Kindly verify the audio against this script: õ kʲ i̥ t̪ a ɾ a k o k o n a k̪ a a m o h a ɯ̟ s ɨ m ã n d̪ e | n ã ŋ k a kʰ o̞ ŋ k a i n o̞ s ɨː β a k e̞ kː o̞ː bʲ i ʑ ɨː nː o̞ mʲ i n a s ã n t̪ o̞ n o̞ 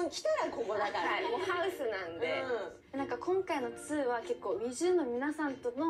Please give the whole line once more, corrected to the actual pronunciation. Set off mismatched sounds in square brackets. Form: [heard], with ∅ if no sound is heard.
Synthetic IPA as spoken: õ kʲ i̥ t̪ a ɾ a k o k o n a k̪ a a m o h a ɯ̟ s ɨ [n] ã n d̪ e | n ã ŋ k a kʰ [õ̞] ŋ k a i n o̞ [t͡s] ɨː β a k e̞ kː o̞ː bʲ i ʑ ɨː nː o̞ mʲ i n a s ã n t̪ o̞ n o̞